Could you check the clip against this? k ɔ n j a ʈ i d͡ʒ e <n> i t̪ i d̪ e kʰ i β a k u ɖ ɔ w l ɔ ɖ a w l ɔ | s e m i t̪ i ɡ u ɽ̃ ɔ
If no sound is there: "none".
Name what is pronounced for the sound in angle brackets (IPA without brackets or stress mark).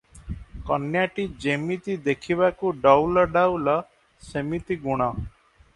m